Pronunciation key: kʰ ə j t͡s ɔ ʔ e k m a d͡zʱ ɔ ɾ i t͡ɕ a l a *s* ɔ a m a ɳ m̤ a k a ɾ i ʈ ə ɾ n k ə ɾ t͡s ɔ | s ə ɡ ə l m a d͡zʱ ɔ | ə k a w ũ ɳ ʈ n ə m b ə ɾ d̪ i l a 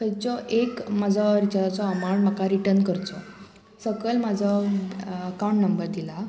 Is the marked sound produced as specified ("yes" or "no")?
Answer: no